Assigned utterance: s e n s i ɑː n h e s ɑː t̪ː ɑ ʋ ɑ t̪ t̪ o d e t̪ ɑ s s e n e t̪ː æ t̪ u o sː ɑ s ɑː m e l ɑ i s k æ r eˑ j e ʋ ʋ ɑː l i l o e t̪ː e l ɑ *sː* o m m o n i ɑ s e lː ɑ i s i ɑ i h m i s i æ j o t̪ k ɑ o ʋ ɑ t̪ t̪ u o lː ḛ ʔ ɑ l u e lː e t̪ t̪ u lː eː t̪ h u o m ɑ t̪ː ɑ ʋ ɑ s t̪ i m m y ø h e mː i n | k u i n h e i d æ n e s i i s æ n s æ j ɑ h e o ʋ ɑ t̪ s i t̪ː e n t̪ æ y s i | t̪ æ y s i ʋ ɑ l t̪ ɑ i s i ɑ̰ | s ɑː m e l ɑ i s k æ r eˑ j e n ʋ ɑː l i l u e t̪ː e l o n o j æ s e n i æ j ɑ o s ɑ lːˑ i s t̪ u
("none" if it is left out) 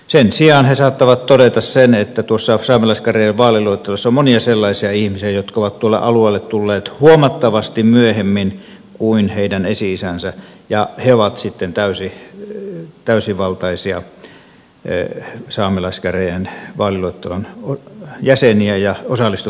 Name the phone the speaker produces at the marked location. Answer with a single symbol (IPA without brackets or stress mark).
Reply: sː